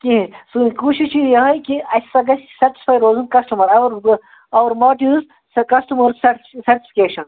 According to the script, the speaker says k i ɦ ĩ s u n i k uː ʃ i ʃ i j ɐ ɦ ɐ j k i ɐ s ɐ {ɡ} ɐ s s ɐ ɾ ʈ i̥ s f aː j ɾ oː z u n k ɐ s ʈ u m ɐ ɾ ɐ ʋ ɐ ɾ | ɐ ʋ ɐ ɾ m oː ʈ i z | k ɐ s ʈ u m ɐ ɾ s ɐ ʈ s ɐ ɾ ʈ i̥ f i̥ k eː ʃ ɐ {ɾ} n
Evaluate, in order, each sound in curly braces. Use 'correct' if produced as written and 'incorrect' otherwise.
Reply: correct, incorrect

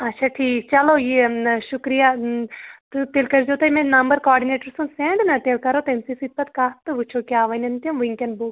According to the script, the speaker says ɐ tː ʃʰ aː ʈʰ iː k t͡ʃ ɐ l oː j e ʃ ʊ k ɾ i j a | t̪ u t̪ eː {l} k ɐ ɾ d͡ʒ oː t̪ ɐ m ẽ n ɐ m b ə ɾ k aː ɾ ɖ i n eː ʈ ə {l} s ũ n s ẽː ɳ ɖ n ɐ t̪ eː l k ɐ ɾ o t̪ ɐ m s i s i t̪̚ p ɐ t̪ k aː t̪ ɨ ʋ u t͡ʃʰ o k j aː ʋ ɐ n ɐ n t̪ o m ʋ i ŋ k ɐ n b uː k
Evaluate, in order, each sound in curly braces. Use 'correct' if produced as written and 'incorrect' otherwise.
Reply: correct, incorrect

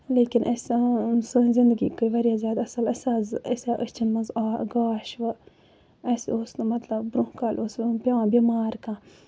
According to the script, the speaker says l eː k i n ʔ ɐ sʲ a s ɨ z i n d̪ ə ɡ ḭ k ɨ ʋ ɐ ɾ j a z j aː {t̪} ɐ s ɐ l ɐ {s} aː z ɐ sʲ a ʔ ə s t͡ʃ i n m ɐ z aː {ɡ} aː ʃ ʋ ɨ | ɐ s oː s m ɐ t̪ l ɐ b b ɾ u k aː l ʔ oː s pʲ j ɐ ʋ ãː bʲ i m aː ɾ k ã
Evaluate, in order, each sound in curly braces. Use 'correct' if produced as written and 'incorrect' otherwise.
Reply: incorrect, correct, correct

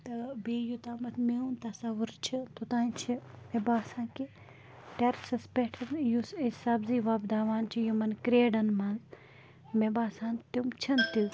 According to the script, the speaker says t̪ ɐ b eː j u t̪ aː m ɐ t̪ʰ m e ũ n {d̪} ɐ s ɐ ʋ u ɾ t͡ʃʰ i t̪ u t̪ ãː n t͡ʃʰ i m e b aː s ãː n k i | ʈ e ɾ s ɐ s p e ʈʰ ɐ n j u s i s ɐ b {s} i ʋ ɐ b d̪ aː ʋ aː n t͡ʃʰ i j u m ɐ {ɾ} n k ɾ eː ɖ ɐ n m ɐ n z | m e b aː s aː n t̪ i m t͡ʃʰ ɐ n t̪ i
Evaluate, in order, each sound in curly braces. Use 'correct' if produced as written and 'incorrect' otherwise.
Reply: incorrect, incorrect, incorrect

